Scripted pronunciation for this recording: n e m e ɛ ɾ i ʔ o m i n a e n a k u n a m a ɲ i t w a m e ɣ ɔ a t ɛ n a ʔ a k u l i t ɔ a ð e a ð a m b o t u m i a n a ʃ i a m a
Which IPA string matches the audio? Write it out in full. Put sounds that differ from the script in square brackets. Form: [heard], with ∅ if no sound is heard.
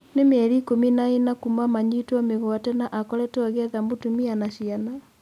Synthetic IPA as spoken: n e m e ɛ ɾ i [k] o m i n a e n a k u [m] a m a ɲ i t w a m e ɣ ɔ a t ɛ n a ʔ a k [ɔ] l [ɛ] t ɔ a [ɣ] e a ð a m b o t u m i a n a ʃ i a [n] a